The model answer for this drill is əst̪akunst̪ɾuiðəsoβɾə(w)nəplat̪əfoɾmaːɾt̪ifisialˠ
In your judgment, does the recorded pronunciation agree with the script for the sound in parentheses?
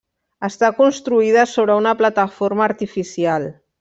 no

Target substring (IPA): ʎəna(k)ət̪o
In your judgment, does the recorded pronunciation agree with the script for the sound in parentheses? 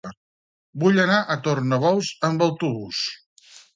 no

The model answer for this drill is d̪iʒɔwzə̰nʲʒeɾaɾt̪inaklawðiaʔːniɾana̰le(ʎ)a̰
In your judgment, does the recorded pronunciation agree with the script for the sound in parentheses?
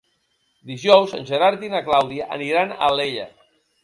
yes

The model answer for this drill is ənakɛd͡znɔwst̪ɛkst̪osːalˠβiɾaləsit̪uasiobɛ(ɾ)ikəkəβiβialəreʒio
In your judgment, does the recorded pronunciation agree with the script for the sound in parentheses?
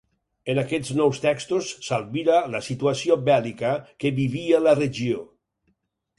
no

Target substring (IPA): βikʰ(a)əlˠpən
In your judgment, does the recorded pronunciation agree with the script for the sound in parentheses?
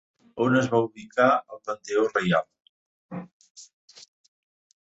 yes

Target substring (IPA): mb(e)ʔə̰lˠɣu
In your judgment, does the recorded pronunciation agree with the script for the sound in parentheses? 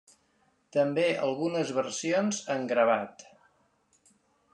yes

